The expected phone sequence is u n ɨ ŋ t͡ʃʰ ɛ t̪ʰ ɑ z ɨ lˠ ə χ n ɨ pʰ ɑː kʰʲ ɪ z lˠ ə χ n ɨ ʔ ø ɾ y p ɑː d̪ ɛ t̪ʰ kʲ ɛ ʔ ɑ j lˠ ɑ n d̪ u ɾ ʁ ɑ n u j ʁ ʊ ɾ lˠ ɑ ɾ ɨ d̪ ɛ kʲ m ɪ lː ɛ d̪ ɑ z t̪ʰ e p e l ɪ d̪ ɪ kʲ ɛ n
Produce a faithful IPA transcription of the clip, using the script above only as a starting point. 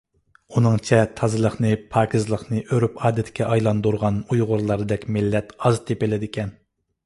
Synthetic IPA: u n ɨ ŋ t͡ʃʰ ɛ t̪ʰ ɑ z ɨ lˠ ə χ n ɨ pʰ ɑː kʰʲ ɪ z lˠ ə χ n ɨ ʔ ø ɾ y p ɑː d̪ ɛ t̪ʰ kʲ ɛ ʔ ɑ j lˠ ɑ n d̪ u ɾ ʁ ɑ n u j ʁ ʊ ɾ lˠ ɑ ɾ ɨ d̪ ɛ kʲ m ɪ lː ɛ t̪ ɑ z t̪ʰ e p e l ɪ d̪ ɪ kʲ ɛ n